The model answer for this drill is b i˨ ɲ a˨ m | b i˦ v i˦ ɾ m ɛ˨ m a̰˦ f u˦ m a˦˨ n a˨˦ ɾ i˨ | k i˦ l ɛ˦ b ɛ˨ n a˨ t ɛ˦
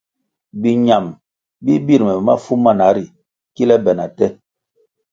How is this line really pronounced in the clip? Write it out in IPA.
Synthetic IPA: b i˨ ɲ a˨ m | b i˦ b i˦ ɾ m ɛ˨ m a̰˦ f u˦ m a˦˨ n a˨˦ ɾ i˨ | k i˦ l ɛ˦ b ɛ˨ n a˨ t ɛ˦